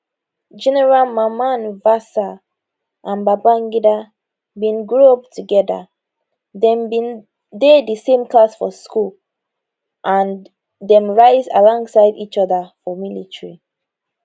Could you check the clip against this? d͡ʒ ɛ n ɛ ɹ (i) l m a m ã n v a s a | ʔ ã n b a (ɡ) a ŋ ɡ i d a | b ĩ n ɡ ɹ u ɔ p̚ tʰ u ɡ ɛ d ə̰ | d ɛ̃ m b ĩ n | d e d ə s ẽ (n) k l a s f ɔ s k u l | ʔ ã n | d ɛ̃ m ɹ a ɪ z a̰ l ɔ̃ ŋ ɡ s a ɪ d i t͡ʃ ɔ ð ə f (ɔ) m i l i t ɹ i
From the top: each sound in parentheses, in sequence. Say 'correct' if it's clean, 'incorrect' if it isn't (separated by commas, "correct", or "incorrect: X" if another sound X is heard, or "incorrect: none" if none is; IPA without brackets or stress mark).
incorrect: a, incorrect: b, incorrect: m, correct